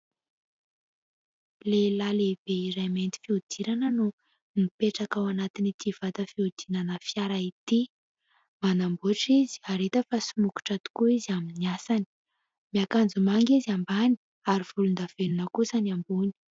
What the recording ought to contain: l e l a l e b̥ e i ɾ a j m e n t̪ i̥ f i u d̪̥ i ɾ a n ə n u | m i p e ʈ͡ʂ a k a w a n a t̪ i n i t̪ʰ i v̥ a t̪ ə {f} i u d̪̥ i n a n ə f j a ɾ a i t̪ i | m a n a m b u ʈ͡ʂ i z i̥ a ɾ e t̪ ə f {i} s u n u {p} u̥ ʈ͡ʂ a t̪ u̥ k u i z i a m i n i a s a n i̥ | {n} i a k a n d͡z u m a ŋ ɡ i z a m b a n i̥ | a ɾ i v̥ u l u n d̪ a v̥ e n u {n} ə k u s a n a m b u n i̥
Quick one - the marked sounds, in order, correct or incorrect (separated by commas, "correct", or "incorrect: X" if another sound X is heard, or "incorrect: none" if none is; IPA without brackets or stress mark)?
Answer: correct, incorrect: a, incorrect: k, incorrect: m, correct